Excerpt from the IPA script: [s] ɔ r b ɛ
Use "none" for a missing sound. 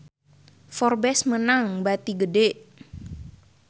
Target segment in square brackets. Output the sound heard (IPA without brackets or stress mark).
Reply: f